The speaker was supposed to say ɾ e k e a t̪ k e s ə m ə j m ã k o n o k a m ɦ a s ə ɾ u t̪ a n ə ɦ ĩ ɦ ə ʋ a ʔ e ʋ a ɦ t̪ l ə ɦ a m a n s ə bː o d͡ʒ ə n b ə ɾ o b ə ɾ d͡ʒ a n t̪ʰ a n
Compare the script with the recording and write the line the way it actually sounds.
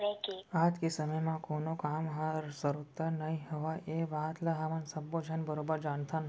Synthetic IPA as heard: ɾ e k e a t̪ k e s ə m ə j m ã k o n o k a m ɦ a s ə ɾ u t̪ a n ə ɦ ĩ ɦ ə ʋ a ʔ e ʋ a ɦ t̪ l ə ɦ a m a n s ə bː o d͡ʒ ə n b ə ɾ o b ə ɾ d͡ʒ a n t̪ʰ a n